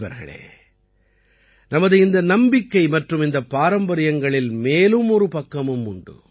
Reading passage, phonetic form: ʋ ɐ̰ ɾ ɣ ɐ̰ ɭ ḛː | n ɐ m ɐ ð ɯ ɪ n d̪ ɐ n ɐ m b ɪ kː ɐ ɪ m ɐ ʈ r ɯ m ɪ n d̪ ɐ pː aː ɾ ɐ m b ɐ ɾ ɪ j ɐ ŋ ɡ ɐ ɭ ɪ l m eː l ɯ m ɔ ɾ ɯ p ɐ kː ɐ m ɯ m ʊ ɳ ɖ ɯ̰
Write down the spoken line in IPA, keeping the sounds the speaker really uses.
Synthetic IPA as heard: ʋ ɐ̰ ɾ ɣ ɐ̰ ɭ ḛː | n ɐ m ɐ ð ɯ ɪ n d̪ ɐ n ɐ m b ɪ kː ɐ ɪ m ɐ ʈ r ɯ m ɪ n d̪ ɐ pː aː ɾ ɐ m b ɐ ɾ ɪ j ɐ ŋ ɡ ɐ ɭ ɪ l m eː l ɯ m ɔ ɾ ɯ p ɐ kː ɐ m ɯ m ʊ ɳ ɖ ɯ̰